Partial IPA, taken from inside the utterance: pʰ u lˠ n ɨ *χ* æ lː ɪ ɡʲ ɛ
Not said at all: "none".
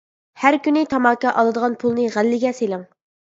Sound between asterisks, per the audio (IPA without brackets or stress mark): ʁ